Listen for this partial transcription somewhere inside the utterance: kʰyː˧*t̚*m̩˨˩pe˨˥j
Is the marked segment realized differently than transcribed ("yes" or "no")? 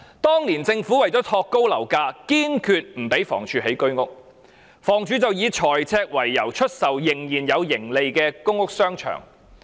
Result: no